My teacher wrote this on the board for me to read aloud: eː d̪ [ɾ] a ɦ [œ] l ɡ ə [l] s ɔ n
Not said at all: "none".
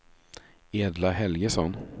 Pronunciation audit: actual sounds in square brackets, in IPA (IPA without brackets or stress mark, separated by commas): l, ɛ, none